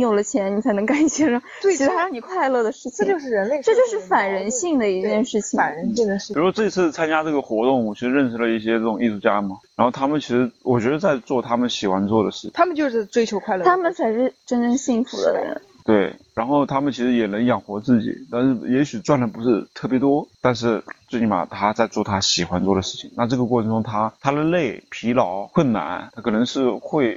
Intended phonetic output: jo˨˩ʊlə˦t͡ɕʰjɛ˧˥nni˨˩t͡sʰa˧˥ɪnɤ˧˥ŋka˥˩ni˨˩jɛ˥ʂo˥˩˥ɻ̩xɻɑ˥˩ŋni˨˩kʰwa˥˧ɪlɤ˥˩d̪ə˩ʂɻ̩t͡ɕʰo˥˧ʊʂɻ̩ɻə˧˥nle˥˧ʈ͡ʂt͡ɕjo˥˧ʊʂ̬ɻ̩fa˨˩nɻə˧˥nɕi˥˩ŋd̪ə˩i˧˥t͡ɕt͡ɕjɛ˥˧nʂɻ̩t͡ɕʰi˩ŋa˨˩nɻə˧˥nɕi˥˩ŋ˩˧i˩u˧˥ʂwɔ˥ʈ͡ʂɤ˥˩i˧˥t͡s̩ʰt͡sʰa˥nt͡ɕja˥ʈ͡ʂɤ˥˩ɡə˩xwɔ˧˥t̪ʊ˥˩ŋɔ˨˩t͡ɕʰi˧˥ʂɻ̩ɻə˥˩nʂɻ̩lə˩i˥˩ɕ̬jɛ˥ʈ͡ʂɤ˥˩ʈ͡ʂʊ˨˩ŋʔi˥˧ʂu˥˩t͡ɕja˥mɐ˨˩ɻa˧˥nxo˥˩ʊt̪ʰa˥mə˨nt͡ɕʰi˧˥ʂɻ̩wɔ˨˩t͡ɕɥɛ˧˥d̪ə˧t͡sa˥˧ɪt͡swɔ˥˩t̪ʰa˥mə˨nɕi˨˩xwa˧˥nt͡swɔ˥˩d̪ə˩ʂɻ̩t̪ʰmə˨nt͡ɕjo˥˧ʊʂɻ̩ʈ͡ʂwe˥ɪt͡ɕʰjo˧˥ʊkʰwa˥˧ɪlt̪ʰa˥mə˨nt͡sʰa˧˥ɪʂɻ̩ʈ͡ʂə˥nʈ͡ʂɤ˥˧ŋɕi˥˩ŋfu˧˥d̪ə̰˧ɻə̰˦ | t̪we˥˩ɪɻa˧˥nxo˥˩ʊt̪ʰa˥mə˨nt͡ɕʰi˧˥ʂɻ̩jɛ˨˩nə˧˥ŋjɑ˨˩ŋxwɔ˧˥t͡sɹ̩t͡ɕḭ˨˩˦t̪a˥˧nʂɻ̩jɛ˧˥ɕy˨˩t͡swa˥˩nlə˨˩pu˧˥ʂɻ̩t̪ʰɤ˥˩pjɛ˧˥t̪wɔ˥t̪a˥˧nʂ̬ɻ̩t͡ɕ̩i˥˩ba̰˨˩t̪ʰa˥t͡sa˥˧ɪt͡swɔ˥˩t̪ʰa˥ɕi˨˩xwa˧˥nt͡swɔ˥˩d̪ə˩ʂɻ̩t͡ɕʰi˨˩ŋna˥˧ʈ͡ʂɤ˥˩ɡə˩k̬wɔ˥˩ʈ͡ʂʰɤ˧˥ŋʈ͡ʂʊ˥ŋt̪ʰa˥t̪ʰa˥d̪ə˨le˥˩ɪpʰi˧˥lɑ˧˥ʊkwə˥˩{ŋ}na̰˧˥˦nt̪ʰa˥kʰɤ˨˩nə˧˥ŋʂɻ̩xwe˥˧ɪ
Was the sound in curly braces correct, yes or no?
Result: no